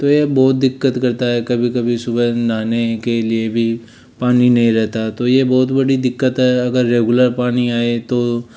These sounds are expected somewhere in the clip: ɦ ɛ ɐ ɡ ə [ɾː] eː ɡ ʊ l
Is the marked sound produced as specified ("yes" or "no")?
yes